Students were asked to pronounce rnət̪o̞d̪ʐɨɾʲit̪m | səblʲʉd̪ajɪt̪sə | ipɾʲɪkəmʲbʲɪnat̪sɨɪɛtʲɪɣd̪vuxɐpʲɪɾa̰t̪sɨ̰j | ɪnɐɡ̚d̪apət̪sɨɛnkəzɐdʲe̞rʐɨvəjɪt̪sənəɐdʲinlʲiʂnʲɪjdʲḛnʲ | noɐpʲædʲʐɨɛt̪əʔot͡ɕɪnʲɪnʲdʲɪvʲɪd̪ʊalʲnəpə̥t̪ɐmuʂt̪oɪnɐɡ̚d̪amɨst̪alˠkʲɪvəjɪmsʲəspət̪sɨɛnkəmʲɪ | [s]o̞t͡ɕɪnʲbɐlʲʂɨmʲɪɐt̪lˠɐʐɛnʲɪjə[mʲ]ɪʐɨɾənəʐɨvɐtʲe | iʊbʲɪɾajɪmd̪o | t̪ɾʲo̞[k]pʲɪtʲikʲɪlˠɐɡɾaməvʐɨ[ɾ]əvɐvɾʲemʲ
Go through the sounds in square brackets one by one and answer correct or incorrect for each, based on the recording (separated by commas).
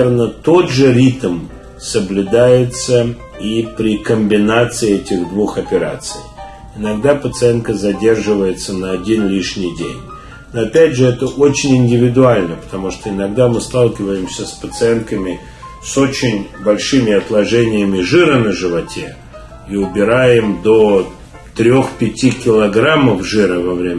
correct, correct, incorrect, correct